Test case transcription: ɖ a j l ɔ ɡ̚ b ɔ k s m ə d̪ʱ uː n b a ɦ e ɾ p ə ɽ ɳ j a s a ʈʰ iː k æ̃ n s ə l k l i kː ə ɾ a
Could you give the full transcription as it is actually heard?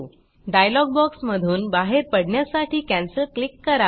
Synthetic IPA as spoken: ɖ a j l ɔ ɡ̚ b ɔ k s m ə d̪ʱ uː n b a ɦ e ɾ p ə ɽ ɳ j a s a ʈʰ iː k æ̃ n s ə l k l i kː ə ɾ a

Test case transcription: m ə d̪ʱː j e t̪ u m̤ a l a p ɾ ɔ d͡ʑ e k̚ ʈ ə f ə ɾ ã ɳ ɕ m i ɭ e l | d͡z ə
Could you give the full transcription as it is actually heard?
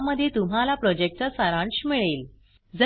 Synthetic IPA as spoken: m ə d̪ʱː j e t̪ u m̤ a l a p ɾ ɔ d͡ʑ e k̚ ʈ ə s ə ɾ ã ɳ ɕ m i ɭ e l | d͡z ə

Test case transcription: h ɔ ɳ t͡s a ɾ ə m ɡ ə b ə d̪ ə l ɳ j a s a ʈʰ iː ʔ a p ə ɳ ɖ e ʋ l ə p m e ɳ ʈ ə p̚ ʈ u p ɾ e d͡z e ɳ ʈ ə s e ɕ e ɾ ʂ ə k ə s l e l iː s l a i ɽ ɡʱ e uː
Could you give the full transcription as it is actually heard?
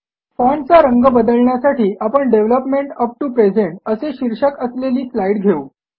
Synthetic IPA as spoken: f ɔ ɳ t͡s a ɾ ə ŋ ɡ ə b ə d̪ ə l ɳ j a s a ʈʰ iː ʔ a p ə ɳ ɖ e ʋ l ə p m e ɳ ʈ ə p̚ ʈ u p ɾ e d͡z e ɳ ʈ ə s e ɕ i ɾ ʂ ə k ə s l e l iː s l a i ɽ ɡʱ e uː

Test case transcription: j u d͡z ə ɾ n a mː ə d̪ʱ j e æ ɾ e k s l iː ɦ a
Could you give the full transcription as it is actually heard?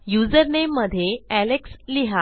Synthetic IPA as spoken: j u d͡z ə ɾ n e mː ə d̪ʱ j e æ l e k s l i ɦ a

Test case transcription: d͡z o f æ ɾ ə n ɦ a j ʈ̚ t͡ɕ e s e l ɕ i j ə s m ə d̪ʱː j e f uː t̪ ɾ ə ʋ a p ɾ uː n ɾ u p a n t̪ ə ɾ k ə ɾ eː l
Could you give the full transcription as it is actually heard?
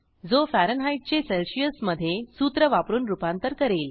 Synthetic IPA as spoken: d͡z o f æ ɾ ə n ɦ a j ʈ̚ t͡ɕ e s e l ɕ i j ə s m ə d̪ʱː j e s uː t̪ ɾ ə ʋ a p ɾ uː n ɾ u p a n t̪ ə ɾ k ə ɾ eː l

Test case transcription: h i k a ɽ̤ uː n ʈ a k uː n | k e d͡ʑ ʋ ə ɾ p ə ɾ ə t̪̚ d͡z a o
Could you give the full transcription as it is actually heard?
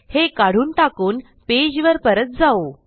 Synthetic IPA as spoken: h e k a ɽ̤ uː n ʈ a k uː n | p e d͡ʑ ʋ ə ɾ p ə ɾ ə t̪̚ d͡z a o

